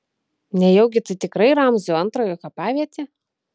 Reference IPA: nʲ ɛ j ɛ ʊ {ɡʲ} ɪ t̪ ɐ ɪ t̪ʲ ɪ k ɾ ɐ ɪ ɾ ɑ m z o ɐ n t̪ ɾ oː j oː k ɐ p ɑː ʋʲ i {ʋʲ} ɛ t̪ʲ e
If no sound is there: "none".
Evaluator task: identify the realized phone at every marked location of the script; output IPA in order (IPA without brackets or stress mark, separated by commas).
ɡʲ, none